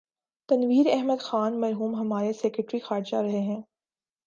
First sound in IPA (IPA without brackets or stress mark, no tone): t̪